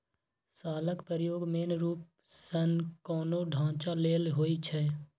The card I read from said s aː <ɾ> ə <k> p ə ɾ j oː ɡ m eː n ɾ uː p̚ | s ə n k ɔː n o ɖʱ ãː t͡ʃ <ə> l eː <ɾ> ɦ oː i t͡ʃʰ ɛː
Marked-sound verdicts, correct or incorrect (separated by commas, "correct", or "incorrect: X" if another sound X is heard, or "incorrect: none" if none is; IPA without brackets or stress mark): incorrect: l, correct, incorrect: a, incorrect: l